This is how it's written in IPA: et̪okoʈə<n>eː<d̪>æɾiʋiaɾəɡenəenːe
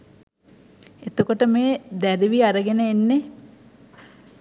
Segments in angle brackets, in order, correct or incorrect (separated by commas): incorrect, correct